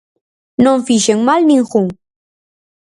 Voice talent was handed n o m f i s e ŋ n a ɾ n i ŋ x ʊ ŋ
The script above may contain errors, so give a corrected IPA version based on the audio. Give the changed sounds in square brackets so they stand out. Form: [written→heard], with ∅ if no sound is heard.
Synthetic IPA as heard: n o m f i [s→ʃ] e ŋ [n→m] a [ɾ→l] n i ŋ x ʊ ŋ